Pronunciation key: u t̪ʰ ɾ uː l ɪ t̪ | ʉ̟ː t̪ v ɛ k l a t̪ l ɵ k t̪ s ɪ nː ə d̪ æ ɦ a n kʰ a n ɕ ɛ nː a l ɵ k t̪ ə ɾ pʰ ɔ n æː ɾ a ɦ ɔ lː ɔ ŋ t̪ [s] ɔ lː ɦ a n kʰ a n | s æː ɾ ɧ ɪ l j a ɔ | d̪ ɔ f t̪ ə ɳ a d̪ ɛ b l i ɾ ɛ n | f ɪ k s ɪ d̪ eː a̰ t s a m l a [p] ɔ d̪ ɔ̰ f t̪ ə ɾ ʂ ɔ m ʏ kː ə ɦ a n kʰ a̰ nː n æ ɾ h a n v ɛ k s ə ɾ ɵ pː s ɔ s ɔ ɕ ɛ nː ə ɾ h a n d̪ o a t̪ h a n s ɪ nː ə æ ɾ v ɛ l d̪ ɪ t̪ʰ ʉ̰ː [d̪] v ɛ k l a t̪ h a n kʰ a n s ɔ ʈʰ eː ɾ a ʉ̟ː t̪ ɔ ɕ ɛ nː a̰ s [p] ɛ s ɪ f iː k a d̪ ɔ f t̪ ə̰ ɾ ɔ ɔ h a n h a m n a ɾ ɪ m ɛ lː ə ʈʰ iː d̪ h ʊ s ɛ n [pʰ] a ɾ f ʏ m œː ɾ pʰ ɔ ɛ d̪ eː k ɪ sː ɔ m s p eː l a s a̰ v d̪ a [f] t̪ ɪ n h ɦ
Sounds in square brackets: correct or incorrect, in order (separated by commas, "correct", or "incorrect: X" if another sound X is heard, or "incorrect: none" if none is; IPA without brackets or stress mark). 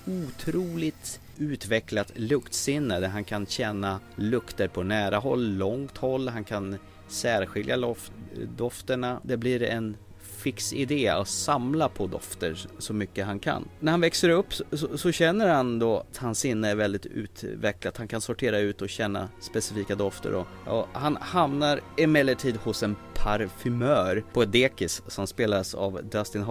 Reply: incorrect: h, incorrect: pʰ, incorrect: t̪, correct, correct, incorrect: s